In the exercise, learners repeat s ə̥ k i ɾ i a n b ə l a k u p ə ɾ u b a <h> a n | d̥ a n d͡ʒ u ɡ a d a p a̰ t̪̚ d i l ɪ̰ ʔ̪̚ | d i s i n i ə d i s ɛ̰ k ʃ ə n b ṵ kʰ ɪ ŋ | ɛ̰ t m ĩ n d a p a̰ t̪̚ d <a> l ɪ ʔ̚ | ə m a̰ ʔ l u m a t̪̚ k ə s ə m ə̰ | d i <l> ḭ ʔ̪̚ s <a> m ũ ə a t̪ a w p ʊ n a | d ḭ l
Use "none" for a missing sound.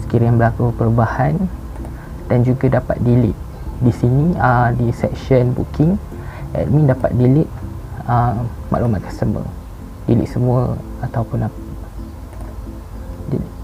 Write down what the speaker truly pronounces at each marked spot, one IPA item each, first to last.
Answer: h, i, l, ə

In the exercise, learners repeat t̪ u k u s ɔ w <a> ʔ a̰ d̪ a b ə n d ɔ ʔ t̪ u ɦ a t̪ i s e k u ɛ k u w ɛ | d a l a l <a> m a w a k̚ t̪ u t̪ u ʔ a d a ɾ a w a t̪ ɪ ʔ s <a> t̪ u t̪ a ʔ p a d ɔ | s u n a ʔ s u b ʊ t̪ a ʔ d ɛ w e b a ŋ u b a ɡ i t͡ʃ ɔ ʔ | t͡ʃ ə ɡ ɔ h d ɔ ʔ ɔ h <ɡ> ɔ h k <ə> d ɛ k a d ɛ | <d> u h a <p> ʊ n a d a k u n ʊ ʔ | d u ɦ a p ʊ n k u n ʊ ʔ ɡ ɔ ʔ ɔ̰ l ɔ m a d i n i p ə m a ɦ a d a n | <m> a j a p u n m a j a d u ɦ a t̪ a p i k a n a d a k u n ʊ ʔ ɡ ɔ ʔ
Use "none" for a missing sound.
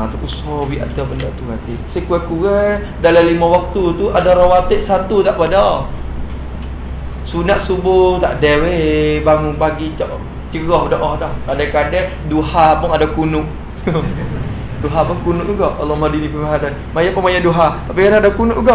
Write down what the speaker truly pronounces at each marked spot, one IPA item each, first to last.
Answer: i, i, a, d, a, d, p, m

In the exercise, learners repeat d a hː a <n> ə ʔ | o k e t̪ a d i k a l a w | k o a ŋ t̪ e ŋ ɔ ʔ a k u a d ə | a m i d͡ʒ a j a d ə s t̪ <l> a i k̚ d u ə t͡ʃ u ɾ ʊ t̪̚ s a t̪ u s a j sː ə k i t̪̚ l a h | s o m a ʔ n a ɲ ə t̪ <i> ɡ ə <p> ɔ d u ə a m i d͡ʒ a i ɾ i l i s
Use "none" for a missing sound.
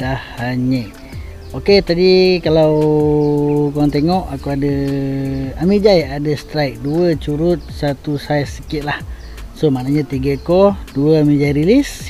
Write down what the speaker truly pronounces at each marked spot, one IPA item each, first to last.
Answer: ɲ, ɾ, i, k

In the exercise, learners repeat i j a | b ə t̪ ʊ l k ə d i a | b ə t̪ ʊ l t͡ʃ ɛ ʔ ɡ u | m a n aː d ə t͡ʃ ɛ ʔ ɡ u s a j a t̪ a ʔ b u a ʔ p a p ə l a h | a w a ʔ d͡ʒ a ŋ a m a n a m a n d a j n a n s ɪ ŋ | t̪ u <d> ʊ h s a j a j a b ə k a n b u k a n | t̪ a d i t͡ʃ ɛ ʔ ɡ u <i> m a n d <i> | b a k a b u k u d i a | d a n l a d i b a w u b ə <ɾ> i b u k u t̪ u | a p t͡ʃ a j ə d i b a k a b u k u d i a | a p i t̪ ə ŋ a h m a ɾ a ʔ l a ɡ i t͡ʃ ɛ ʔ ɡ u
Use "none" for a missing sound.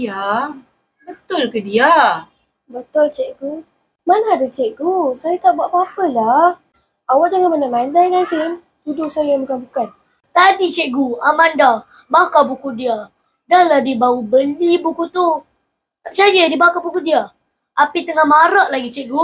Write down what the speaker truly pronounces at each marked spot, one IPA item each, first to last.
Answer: d, a, a, l

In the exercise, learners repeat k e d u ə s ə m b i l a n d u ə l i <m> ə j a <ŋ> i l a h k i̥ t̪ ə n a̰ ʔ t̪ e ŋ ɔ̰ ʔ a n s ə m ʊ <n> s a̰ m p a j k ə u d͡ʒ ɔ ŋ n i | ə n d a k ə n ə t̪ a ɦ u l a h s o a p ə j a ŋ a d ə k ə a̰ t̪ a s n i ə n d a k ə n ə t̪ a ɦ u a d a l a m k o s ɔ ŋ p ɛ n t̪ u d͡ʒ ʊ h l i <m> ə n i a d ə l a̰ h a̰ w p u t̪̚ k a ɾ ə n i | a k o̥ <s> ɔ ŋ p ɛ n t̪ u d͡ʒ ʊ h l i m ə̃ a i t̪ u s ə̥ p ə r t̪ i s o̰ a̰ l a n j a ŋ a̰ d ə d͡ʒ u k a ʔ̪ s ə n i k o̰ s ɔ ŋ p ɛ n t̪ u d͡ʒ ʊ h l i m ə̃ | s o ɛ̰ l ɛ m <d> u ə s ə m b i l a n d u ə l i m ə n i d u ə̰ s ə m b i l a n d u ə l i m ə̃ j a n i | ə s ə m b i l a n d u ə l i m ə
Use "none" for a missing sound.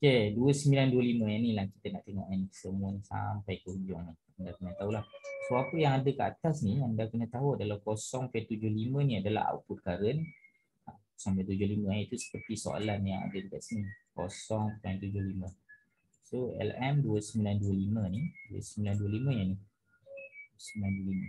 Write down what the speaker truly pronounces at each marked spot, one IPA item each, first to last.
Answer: m, n, n, m, s, d

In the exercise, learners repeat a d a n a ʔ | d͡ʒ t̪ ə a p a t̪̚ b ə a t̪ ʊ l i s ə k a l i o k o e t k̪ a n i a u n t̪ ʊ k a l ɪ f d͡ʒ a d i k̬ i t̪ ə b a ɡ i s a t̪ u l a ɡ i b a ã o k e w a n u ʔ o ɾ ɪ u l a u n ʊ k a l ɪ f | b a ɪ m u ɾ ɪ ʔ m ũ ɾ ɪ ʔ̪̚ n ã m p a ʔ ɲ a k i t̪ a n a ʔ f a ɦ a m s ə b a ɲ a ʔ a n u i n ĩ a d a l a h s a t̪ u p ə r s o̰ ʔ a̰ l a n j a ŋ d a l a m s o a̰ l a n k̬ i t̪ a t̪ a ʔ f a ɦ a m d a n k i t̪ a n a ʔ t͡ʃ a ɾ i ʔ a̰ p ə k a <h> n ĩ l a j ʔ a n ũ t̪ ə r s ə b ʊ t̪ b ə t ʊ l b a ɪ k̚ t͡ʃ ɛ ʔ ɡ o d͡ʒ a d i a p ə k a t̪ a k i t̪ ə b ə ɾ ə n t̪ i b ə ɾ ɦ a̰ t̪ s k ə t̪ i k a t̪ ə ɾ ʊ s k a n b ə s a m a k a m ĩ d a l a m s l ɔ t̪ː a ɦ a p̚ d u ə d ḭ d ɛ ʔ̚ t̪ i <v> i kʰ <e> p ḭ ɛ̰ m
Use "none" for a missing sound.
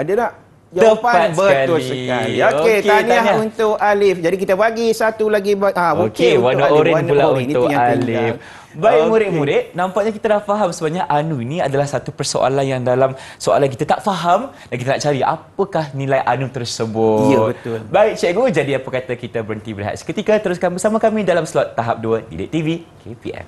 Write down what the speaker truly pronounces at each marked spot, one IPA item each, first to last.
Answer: h, v, e

